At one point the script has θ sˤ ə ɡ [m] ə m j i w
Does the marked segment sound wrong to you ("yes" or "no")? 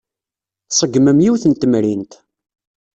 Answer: no